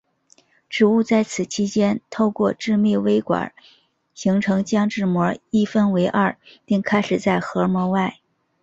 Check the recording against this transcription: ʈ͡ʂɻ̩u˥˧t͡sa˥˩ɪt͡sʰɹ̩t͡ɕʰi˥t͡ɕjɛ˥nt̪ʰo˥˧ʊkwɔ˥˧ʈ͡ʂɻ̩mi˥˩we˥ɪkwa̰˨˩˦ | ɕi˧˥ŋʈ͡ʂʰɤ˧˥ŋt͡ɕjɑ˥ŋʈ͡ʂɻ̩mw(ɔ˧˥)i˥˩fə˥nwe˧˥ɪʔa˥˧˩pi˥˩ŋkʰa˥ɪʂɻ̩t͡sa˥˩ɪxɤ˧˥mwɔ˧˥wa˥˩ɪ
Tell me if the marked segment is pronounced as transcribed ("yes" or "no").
yes